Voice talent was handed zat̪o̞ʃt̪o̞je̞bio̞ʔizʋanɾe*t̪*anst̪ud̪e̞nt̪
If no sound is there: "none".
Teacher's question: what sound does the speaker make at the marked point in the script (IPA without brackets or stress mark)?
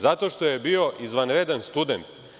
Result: d̪